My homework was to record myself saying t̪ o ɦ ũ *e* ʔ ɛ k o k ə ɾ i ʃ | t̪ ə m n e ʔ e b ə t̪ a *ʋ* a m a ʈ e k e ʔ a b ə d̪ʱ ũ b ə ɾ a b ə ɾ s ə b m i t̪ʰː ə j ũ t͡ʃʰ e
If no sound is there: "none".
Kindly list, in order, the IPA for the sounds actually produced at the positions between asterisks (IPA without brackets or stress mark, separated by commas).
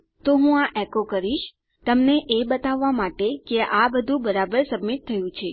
a, ʋː